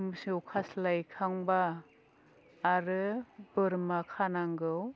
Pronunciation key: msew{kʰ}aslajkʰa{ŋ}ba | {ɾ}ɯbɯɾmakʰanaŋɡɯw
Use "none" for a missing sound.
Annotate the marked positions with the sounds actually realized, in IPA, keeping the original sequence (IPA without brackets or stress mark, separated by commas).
kʰ, ŋ, ɾ